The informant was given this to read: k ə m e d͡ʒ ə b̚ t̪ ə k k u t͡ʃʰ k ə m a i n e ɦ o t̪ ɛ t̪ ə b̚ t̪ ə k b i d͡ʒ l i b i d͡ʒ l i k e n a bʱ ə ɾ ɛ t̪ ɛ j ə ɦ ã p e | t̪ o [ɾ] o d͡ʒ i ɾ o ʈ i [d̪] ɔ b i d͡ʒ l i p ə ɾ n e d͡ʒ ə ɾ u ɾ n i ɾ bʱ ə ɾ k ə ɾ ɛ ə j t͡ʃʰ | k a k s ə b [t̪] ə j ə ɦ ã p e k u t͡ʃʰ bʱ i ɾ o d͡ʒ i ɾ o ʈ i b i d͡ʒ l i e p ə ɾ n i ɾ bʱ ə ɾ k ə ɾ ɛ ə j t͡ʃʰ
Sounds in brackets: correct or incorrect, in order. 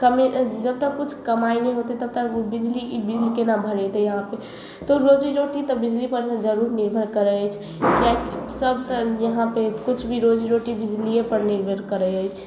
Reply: correct, incorrect, correct

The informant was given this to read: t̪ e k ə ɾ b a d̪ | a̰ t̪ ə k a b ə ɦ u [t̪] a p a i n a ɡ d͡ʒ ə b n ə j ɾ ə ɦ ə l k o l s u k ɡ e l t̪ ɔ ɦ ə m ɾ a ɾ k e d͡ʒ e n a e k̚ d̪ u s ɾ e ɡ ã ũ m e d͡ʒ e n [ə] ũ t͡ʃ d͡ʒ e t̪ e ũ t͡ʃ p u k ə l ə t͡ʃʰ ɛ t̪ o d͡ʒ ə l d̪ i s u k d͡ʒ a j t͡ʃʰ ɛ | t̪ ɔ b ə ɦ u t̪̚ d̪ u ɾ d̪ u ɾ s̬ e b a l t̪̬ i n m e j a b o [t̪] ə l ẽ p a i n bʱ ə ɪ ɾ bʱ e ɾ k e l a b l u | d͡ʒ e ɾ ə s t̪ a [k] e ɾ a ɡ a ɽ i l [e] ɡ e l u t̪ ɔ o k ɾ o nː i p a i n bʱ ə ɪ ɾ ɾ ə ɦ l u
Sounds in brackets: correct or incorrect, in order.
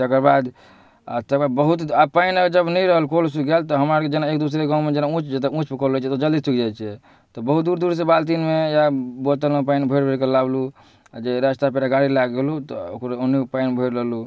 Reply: correct, incorrect, correct, incorrect, incorrect

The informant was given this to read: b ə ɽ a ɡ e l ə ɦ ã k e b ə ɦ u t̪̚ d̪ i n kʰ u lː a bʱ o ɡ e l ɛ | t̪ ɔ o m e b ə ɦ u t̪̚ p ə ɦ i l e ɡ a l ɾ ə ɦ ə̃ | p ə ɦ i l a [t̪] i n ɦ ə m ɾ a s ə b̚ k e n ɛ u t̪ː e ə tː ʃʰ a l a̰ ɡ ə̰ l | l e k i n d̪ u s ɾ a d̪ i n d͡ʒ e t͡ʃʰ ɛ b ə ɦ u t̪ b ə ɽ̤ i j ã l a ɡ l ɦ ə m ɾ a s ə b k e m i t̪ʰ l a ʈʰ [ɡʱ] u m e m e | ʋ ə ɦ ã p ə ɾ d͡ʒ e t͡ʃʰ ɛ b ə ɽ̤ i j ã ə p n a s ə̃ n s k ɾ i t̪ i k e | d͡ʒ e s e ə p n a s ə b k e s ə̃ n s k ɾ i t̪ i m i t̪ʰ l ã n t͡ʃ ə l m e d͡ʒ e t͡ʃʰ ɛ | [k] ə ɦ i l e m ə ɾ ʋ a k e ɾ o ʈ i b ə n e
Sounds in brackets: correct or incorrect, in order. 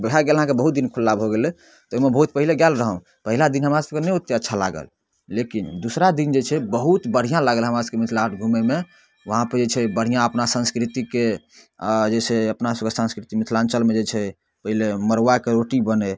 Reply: incorrect, correct, incorrect

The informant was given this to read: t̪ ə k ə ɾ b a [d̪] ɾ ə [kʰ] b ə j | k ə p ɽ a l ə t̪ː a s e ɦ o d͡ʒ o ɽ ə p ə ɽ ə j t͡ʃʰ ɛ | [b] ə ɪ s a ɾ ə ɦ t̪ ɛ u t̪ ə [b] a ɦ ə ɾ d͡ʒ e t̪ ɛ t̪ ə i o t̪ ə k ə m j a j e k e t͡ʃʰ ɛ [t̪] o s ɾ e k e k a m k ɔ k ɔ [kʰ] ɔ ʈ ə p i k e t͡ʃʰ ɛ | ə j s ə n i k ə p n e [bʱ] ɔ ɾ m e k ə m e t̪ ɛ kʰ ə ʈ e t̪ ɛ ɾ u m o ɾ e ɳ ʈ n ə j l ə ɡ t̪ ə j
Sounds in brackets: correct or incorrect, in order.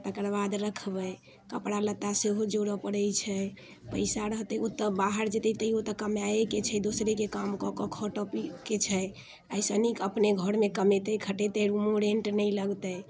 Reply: correct, correct, incorrect, correct, incorrect, correct, incorrect

